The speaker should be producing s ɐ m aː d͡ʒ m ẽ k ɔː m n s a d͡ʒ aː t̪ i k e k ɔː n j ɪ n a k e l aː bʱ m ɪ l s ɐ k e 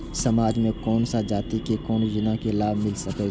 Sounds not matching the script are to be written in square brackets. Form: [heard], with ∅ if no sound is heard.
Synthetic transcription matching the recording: s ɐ m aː d͡ʒ m ẽ k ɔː [∅] n s a d͡ʒ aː t̪ i k e k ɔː n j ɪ n a k e l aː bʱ m ɪ l s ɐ k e